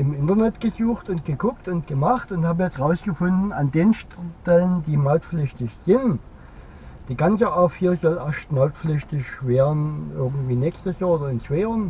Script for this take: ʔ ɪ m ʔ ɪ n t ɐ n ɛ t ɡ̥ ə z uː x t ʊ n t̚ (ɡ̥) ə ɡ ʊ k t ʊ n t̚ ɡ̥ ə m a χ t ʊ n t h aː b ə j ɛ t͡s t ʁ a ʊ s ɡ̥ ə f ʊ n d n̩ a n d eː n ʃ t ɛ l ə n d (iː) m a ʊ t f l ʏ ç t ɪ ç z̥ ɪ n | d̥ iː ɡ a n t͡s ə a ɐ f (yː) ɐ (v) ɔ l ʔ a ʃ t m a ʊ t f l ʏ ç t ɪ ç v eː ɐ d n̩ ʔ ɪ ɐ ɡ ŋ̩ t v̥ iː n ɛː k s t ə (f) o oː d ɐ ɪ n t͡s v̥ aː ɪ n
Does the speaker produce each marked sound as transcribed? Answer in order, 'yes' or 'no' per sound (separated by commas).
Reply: yes, yes, no, no, no